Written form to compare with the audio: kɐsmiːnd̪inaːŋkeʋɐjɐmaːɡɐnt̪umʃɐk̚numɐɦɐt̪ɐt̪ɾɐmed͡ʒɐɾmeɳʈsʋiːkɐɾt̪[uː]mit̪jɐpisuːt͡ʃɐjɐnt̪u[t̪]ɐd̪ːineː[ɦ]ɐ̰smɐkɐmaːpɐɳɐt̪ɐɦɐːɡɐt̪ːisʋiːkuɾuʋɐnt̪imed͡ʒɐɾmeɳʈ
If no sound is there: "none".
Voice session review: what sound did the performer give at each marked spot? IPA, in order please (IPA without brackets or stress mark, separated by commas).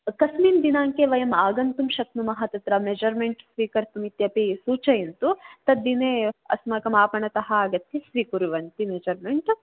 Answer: u, t̪, none